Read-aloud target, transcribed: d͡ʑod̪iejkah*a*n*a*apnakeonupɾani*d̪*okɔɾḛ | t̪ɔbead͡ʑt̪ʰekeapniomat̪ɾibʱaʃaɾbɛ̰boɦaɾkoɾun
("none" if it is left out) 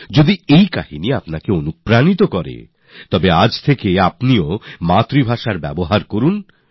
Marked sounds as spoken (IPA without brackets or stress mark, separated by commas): i, i, t̪